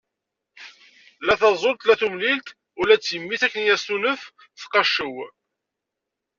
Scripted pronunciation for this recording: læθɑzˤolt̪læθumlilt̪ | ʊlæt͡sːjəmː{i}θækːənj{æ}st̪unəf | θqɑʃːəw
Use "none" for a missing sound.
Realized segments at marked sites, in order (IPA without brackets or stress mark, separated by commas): i, æ